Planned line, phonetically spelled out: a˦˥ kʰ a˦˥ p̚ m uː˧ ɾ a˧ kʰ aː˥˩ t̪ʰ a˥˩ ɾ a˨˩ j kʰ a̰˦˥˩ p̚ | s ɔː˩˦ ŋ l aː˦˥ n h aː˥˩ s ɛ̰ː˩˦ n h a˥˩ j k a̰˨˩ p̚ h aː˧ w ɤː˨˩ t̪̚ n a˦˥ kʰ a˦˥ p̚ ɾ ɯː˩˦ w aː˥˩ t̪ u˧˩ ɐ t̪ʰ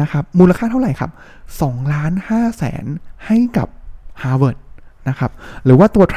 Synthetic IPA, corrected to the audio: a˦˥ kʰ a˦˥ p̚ m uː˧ l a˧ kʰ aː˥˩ t̪ʰ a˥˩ ɾ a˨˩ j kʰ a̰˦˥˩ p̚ | s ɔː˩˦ ŋ l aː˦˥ n h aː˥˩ s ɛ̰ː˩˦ n h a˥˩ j k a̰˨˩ p̚ h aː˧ w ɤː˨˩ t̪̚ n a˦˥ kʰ a˦˥ p̚ ɾ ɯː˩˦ w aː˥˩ t̪ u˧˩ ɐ t̪ʰ